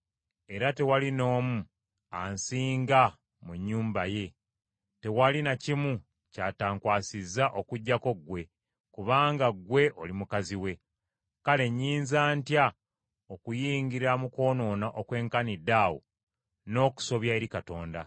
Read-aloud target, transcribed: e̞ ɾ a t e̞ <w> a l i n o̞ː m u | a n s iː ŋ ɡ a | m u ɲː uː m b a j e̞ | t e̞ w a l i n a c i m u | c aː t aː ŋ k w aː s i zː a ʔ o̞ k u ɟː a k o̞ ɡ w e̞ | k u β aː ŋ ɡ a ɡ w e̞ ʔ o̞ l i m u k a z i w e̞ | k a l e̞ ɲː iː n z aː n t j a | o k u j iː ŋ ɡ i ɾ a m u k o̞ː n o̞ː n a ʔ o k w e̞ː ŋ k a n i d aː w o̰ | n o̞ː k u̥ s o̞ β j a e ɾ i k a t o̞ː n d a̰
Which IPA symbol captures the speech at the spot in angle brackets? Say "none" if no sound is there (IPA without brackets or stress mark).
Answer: w